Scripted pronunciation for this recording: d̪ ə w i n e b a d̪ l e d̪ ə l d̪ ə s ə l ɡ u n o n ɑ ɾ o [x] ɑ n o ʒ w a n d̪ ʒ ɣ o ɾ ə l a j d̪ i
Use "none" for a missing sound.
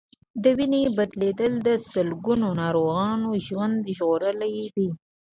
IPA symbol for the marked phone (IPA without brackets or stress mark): ɣ